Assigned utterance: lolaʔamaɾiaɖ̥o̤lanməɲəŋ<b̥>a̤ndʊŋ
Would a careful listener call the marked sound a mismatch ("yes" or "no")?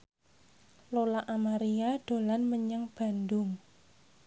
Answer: no